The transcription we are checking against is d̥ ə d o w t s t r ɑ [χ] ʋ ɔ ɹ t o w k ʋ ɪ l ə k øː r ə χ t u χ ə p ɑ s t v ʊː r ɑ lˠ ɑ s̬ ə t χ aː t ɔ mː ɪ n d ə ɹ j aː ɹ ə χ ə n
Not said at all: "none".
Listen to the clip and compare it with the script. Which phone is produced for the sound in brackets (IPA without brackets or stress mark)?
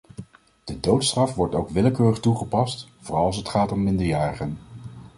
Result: f